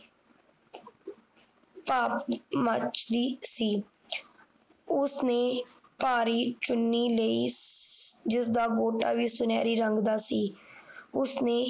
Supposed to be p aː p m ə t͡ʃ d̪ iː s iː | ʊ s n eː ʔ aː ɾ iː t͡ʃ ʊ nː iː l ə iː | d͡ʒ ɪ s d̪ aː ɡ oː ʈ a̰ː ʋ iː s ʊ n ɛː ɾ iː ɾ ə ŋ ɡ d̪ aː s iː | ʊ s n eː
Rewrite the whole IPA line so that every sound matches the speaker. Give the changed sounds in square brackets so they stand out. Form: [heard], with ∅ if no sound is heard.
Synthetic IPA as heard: p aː p m ə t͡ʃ d̪ iː s iː | ʊ s n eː [p] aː ɾ iː t͡ʃ ʊ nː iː l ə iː | d͡ʒ ɪ s d̪ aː ɡ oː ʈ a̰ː ʋ iː s ʊ n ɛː ɾ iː ɾ ə ŋ ɡ d̪ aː s iː | ʊ s n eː